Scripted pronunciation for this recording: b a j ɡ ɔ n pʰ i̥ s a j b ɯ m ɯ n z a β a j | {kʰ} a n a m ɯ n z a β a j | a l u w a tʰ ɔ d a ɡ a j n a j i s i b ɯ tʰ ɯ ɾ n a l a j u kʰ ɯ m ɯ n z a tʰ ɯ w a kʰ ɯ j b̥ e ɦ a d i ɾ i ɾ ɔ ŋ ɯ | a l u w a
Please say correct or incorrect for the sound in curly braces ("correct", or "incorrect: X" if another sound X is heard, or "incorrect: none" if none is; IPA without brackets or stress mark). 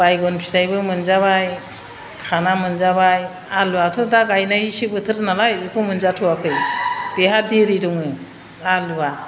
correct